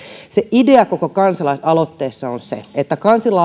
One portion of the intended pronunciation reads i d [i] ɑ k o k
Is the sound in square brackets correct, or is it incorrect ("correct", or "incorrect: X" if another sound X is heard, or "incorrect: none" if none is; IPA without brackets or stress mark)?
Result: incorrect: e